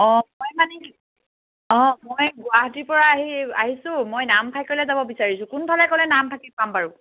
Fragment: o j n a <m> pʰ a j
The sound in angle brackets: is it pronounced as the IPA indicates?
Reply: yes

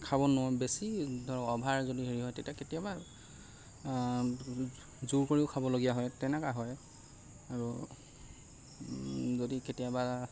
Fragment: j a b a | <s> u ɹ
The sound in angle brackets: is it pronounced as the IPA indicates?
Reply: no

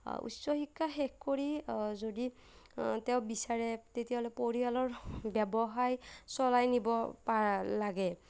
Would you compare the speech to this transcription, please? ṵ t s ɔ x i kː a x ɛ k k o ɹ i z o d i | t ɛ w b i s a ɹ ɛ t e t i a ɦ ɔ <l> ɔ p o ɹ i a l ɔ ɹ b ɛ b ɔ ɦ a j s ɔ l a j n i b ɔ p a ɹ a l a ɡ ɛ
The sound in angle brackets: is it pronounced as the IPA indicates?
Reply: yes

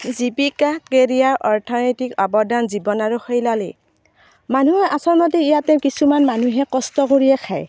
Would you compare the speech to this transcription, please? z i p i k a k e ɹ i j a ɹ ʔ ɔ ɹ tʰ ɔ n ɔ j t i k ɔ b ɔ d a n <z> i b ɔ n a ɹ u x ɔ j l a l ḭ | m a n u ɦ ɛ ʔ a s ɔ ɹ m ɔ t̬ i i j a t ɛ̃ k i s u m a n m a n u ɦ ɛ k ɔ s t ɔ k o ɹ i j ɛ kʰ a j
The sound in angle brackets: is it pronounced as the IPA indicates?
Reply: yes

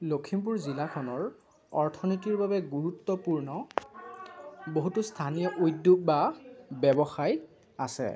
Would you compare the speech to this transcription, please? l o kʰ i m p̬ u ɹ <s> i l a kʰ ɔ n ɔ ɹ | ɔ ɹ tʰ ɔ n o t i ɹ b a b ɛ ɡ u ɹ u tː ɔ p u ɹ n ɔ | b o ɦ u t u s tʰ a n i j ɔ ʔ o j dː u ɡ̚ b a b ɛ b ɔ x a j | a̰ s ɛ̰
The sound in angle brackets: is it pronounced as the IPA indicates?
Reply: no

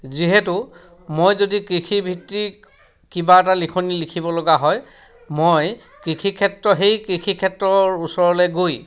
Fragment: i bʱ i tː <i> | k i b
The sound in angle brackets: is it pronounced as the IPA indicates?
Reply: yes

